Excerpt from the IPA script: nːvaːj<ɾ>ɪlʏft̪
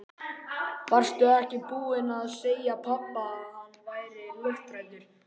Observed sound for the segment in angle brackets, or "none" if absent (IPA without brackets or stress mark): ɾ